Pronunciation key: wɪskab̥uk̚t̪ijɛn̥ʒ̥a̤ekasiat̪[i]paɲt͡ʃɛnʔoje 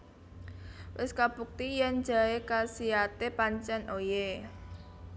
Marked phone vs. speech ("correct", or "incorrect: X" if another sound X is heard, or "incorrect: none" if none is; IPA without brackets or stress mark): incorrect: e